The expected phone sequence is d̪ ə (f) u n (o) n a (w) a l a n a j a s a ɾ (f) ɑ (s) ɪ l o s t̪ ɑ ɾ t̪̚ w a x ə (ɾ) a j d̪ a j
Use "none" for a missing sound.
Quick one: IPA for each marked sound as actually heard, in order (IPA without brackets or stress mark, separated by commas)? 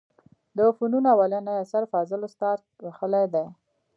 f, u, w, f, z, l